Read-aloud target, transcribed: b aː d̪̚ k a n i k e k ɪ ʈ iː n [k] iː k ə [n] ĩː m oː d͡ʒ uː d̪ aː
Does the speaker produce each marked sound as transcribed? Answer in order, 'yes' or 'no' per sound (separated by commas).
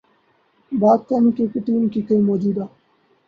yes, no